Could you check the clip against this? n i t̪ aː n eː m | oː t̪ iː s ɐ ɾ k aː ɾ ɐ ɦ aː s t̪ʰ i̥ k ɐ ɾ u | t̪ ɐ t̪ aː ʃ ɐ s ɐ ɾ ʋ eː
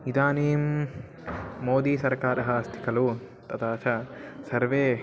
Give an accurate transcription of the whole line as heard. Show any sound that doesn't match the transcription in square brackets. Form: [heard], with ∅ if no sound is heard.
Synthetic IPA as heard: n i [d̪] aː n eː m | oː [d̪] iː s ɐ ɾ k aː ɾ ɐ ɦ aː s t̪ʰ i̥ k ɐ [l] u | t̪ ɐ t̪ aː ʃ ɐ s ɐ ɾ ʋ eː